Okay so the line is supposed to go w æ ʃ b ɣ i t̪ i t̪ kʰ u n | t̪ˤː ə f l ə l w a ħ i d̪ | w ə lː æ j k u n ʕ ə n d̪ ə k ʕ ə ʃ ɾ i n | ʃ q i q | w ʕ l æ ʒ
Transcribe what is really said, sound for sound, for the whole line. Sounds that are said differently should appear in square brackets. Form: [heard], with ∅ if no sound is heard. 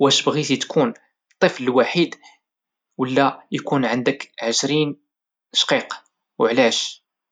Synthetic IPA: w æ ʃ b ɣ i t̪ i t̪ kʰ u n | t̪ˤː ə f l ə l w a ħ i d̪ | w ə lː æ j k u n ʕ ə n d̪ ə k ʕ ə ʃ ɾ i n | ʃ q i q | w ʕ l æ [ʃ]